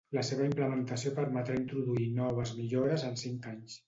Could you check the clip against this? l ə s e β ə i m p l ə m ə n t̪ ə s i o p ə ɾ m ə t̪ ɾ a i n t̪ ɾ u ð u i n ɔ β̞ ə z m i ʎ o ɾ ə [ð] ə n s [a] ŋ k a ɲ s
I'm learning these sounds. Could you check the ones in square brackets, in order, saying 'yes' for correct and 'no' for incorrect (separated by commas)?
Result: no, no